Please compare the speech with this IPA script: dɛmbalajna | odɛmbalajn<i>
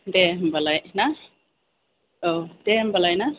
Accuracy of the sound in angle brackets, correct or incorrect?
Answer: incorrect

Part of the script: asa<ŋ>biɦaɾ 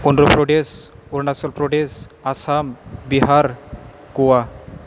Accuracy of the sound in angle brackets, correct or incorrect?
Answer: incorrect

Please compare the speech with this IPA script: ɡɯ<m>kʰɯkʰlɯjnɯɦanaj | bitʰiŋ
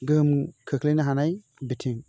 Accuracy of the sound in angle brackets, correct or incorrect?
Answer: correct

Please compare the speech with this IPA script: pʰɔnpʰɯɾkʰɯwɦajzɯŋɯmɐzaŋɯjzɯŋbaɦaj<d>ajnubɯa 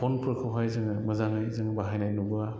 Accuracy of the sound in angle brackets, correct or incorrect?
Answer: incorrect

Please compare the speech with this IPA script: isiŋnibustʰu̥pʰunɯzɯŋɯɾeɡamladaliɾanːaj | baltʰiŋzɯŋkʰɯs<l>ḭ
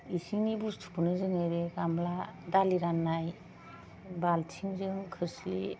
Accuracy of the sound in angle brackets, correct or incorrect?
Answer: correct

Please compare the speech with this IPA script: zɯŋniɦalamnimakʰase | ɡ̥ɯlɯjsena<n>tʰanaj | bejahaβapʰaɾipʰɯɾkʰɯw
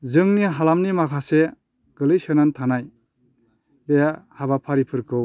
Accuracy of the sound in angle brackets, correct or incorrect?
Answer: correct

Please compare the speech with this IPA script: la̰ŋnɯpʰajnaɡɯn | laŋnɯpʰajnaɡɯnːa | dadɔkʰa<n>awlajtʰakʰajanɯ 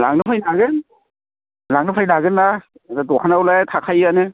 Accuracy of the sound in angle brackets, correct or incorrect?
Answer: correct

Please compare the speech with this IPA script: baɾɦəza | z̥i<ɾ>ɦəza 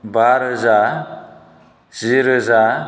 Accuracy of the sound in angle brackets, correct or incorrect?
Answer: correct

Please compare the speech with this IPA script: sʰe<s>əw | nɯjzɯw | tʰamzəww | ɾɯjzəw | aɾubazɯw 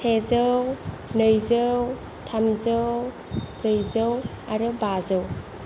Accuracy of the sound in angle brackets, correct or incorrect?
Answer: incorrect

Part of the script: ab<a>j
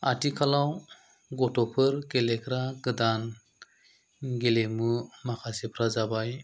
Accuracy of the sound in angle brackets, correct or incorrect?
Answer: correct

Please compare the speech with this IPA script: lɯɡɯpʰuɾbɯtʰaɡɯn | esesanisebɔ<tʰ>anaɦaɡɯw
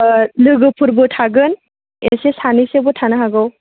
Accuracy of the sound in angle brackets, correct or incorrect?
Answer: correct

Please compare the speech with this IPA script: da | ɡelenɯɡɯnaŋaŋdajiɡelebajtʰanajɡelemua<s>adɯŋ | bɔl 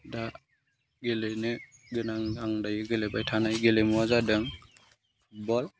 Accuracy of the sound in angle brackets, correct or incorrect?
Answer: incorrect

